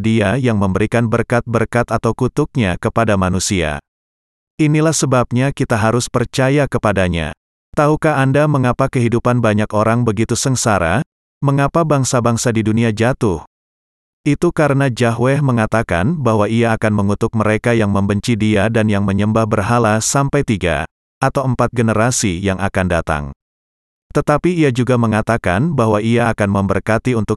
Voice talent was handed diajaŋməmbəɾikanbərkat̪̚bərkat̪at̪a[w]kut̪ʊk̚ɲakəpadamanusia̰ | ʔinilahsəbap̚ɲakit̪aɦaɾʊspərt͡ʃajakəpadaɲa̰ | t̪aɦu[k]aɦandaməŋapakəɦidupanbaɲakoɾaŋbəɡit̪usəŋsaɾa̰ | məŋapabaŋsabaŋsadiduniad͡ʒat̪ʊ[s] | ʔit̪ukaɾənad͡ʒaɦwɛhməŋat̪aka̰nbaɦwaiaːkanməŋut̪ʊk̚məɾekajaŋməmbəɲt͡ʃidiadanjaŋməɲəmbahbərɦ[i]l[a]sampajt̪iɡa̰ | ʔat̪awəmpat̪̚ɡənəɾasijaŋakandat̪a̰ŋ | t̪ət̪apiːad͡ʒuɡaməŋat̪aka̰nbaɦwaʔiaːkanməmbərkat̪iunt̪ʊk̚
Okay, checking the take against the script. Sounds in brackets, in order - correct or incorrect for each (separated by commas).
correct, correct, incorrect, incorrect, correct